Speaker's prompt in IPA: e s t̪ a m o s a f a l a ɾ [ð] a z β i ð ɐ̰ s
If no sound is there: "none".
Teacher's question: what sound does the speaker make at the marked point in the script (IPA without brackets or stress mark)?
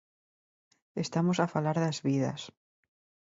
ð